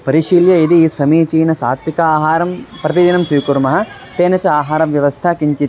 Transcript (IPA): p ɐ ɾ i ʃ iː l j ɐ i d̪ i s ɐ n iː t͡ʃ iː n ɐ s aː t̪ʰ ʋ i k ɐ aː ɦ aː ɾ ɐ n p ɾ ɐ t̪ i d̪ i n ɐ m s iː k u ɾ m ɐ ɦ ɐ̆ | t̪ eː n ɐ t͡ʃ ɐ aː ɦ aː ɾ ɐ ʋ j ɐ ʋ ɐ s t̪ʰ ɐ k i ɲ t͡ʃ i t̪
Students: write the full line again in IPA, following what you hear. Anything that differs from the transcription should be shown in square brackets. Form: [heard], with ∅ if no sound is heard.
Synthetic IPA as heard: p ɐ ɾ i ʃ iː l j ɐ i d̪ i s ɐ [m] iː t͡ʃ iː n ɐ s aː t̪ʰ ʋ i k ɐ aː ɦ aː ɾ ɐ [m] p ɾ ɐ t̪ i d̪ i n ɐ m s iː k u ɾ m ɐ ɦ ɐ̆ | t̪ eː n ɐ t͡ʃ ɐ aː ɦ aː ɾ ɐ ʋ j ɐ ʋ ɐ s t̪ʰ ɐ k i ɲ t͡ʃ i t̪